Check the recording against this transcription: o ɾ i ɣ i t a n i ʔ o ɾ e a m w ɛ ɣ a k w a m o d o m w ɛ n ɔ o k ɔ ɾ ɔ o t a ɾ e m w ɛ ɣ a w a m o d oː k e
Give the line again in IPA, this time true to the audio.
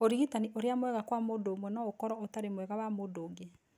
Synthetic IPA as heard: o ɾ i ɣ i t a n i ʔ o ɾ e a m w ɛ ɣ a k w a m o d o m w ɛ n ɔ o k ɔ ɾ ɔ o t a ɾ e m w ɛ ɣ a w a m o d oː ɡ e